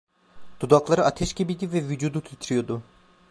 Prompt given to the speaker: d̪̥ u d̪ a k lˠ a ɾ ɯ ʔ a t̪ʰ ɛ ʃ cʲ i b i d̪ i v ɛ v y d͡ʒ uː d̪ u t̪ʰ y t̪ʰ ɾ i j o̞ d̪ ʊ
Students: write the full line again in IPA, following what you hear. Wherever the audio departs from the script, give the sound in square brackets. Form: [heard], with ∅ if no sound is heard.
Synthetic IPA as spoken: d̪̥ u d̪ a k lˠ a ɾ ɯ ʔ a t̪ʰ ɛ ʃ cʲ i b i d̪ i v ɛ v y d͡ʒ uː d̪ u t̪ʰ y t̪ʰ ɾ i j o̞ d̪ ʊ